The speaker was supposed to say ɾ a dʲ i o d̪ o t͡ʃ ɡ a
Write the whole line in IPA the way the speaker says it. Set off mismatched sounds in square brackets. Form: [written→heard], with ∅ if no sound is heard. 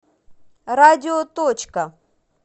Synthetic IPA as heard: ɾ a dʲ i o [d̪→t̪] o t͡ʃ [ɡ→k] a